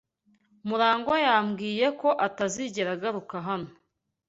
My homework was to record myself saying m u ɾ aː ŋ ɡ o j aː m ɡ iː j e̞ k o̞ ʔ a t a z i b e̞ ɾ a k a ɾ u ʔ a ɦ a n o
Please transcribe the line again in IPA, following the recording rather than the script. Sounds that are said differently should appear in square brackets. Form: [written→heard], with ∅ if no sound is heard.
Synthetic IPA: m u ɾ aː ŋ ɡ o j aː m ɡ iː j e̞ k o̞ ʔ a t a z i [b→ɟ] e̞ ɾ a [k→ɡ] a ɾ u [ʔ→k] a ɦ a n o

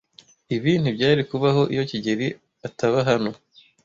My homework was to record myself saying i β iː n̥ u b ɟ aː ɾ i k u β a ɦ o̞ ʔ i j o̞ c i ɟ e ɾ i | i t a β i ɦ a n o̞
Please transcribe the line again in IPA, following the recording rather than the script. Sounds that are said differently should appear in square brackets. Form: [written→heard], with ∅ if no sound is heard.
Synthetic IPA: i β iː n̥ u b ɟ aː ɾ i k u β a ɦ o̞ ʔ i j o̞ c i ɟ e ɾ i | [i→a] t a β [i→a] ɦ a n o̞

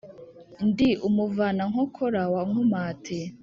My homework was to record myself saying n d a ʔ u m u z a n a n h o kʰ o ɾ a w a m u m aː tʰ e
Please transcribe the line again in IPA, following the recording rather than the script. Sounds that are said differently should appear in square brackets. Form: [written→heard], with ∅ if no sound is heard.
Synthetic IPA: n d [a→i] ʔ u m u [z→v] a n a [n→ŋ] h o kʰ o ɾ a w a [m→ŋ] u m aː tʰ e

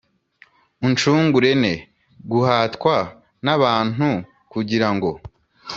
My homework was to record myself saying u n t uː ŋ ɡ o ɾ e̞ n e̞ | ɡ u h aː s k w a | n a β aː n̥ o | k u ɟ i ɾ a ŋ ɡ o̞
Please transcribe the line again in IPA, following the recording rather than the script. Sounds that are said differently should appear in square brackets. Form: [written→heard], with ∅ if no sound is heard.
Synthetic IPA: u n [t→t͡ʃ] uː ŋ ɡ [o→u] ɾ e̞ n e̞ | ɡ u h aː [s→t] k w a | n a β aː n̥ [o→u] | k u ɟ i ɾ a ŋ ɡ o̞

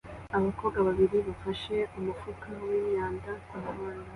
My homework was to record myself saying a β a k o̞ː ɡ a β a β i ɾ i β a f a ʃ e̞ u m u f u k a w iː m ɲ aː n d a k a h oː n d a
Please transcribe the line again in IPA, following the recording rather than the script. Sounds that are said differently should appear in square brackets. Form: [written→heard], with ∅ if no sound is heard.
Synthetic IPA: a β a k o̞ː ɡ a β a β i ɾ i β a f a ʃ e̞ u m u f u k a w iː m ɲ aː n d a k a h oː n d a

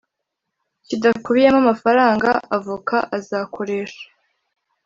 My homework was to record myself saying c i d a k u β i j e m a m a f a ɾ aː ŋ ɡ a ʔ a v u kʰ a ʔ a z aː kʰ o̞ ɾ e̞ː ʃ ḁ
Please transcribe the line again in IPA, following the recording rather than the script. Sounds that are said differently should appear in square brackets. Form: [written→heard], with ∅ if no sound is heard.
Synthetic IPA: c i d a k u β i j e m a m a f a ɾ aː ŋ ɡ a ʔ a v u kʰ a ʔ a z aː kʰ o̞ ɾ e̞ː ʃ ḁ

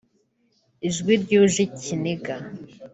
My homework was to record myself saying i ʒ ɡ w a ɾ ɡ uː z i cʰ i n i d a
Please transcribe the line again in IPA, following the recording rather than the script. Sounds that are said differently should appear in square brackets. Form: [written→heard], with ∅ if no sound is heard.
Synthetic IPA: i ʒ ɡ w [a→i] ɾ [ɡ→ɟ] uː [z→ʒ] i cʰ i n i [d→ɡ] a

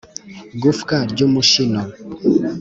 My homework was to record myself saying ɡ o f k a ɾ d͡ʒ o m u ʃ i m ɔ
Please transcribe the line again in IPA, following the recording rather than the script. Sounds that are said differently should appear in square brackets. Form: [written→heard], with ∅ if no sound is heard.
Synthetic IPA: ɡ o f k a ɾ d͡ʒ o m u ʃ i [m→n] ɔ

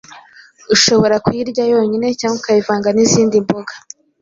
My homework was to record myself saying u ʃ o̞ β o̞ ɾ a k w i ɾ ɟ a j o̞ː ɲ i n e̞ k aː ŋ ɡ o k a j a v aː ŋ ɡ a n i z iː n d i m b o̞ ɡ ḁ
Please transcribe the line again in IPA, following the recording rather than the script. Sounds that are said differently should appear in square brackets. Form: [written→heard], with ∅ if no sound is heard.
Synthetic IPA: u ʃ o̞ β o̞ ɾ a k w i ɾ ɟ a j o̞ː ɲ i n e̞ [k→c] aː ŋ ɡ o k a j [a→i] v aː ŋ ɡ a n i z iː n d i m b o̞ ɡ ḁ

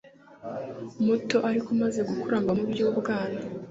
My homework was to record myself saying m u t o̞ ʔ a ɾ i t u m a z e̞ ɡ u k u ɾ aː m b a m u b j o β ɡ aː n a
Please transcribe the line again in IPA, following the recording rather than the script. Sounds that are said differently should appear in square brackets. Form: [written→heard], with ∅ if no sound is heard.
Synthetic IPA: m u t o̞ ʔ a ɾ i [t→k] u m a z e̞ ɡ u k u ɾ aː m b a m u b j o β ɡ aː n a

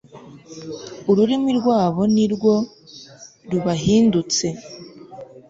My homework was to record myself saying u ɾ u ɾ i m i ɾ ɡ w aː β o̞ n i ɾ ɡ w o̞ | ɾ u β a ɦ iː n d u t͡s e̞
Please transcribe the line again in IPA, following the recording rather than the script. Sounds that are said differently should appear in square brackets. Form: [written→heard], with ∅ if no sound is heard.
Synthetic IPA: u ɾ u ɾ i m i ɾ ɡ w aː β o̞ n i ɾ ɡ w o̞ | ɾ u β a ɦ iː n d u t͡s e̞

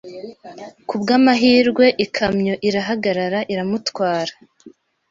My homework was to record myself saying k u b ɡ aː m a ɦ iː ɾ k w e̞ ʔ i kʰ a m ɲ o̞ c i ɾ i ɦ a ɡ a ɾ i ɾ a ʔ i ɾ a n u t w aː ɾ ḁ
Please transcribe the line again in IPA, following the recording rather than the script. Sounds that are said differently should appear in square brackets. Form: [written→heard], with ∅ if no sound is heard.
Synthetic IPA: k u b ɡ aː m a ɦ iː ɾ [k→ɡ] w e̞ ʔ i kʰ a m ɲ o̞ [c→ʔ] i ɾ [i→a] ɦ a ɡ a ɾ [i→a] ɾ a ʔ i ɾ a [n→m] u t w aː ɾ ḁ

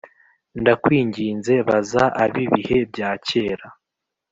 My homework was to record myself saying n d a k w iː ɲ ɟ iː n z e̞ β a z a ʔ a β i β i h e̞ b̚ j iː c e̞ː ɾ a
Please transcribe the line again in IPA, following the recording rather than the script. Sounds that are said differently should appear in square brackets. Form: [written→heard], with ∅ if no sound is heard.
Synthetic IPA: n d a k w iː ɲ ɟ iː n z e̞ β a z a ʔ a β i β i h e̞ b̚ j [iː→aː] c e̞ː ɾ a

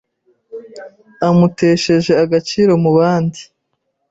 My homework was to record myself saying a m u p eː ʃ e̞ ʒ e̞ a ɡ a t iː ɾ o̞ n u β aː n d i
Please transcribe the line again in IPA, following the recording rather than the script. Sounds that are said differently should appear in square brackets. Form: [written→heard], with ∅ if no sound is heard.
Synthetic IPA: a m u [p→t] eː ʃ e̞ ʒ e̞ a ɡ a [t→t͡ʃ] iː ɾ o̞ [n→m] u β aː n d i

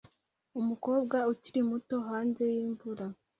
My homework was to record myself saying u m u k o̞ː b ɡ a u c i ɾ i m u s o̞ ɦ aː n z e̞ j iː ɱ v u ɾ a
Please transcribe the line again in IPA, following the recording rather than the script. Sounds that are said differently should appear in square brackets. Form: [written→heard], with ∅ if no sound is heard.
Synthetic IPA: u m u k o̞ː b ɡ a u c i ɾ i m u [s→t] o̞ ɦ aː n z e̞ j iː ɱ v u ɾ a

